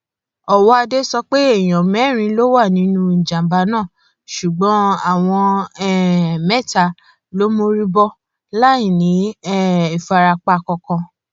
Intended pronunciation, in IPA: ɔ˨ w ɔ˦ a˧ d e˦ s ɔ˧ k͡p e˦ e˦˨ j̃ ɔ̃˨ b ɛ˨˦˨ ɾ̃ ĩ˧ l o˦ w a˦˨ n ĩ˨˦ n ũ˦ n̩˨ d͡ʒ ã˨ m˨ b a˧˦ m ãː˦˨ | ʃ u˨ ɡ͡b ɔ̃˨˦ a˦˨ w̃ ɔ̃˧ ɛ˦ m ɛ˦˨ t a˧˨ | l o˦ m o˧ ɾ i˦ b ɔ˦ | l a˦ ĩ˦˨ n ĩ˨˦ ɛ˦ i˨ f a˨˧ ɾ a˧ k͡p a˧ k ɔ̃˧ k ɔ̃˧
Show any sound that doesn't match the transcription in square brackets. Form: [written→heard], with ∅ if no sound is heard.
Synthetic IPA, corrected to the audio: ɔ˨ w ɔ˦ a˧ d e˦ s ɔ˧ k͡p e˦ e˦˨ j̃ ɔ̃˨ [b→m] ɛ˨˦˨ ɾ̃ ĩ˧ l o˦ w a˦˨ n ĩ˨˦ n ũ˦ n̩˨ d͡ʒ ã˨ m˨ b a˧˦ [m→n] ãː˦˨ | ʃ u˨ ɡ͡b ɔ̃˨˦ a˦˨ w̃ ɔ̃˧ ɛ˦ m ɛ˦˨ t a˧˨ | l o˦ m o˧ ɾ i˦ b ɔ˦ | l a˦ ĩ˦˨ n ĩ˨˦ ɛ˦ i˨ f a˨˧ ɾ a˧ k͡p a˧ k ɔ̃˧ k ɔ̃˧